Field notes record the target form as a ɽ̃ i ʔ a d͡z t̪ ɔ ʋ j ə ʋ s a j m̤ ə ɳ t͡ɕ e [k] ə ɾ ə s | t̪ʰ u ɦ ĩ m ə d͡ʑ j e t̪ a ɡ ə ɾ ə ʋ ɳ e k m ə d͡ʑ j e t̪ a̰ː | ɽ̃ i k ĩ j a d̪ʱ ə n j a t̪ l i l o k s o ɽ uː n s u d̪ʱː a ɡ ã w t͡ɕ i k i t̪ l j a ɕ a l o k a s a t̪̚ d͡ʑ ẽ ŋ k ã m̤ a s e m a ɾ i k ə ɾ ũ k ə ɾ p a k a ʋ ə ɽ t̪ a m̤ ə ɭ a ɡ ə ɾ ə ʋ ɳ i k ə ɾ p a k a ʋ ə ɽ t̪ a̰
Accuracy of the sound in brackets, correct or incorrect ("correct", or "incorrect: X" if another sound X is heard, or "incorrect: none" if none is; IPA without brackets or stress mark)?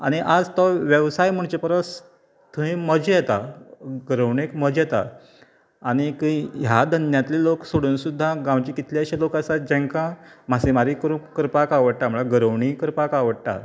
incorrect: p